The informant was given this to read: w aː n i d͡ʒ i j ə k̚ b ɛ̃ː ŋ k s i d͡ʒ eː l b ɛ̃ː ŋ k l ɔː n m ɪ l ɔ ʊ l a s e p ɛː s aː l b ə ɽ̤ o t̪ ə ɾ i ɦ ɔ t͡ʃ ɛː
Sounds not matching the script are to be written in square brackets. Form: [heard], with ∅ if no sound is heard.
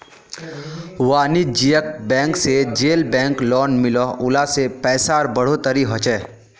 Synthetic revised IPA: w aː n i d͡ʒ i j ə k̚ b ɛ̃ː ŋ k s [e] d͡ʒ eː l b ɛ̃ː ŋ k l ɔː n m ɪ l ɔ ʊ l a s e p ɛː s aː [ɾ] b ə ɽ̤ o t̪ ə ɾ i ɦ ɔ t͡ʃ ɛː